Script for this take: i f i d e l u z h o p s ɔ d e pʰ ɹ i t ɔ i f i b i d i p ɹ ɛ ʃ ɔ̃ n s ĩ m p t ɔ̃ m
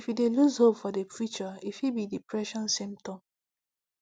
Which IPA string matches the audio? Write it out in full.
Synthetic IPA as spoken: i f i d e l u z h o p f ɔ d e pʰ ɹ i t͡ʃ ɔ i f i b i d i p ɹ ɛ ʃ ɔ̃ n s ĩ m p t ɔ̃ m